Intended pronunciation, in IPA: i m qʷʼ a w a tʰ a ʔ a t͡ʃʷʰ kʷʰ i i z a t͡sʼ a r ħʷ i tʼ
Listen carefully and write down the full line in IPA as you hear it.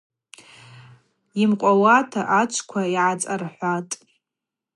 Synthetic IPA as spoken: i m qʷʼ a w a tʰ a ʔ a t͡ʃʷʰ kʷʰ a i ʕ a t͡sʼ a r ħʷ a tʼ